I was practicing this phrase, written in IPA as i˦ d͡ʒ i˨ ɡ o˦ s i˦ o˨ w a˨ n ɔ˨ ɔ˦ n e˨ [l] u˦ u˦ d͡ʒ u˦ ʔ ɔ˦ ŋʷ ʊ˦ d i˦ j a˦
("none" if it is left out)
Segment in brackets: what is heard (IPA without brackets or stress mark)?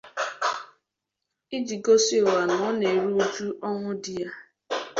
ɾ